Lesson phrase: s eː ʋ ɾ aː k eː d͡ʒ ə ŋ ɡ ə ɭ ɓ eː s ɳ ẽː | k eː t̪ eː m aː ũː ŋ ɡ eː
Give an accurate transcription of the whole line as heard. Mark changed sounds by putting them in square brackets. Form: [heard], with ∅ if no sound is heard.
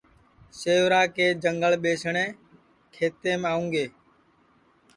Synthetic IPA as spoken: s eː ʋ ɾ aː k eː d͡ʒ ə ŋ ɡ ə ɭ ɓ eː s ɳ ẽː | [kʰ] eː t̪ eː m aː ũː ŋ ɡ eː